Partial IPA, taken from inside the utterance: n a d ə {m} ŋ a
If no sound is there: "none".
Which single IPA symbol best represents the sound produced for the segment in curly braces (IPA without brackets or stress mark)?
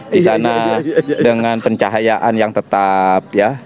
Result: ŋ